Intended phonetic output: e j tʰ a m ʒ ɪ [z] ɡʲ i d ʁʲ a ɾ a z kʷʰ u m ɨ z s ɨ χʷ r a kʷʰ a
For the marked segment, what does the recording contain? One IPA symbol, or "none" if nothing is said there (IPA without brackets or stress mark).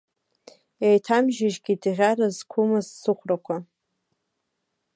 ʒ